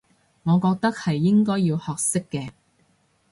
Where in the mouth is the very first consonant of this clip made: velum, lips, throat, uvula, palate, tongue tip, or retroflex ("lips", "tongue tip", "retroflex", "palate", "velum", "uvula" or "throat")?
velum